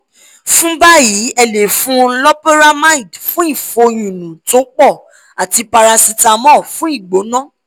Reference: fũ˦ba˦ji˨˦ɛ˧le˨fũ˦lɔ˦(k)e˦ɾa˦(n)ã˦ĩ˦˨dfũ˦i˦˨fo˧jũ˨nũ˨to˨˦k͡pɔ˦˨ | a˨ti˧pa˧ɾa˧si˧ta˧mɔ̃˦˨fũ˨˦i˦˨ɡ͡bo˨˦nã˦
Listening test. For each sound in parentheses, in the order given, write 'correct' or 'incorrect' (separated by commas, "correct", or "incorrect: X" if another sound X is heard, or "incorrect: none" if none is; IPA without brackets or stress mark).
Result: incorrect: p, incorrect: m